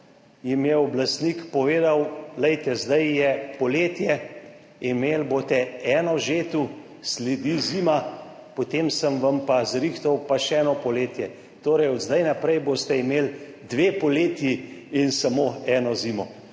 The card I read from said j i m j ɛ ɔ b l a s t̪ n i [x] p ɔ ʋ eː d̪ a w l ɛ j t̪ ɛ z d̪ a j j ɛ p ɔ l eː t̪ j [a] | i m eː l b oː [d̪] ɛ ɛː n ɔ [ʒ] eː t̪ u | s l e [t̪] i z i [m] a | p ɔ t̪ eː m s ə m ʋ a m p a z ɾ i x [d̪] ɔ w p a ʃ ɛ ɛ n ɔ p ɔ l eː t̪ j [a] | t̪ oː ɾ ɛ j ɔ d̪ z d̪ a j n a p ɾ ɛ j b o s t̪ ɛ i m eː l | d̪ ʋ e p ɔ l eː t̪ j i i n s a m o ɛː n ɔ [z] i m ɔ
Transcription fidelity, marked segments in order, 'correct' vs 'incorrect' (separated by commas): incorrect, incorrect, incorrect, correct, incorrect, correct, incorrect, incorrect, correct